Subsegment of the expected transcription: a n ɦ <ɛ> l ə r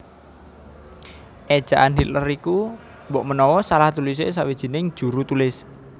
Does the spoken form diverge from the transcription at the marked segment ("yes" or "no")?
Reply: yes